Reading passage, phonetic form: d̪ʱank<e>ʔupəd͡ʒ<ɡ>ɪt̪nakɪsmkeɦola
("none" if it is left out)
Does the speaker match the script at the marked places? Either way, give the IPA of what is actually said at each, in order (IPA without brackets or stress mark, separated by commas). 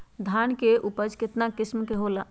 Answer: e, k